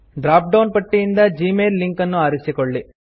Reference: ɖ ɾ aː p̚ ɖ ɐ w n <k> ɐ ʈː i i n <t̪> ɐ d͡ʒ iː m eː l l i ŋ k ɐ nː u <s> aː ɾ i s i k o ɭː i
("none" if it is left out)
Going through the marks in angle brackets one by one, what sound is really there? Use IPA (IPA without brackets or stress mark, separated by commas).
p, d̪, none